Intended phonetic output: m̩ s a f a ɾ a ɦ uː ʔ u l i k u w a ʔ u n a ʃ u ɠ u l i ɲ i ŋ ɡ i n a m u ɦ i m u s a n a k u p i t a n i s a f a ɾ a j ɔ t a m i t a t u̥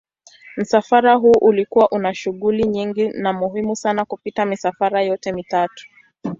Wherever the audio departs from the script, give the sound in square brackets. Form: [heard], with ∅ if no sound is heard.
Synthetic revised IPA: m̩ s a f a ɾ a ɦ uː ʔ u l i k u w a ʔ u n a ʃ u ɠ u l i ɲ i ŋ ɡ i n a m u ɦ i m u s a n a k u p i t a [m] i s a f a ɾ a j ɔ t [ɛ] m i t a t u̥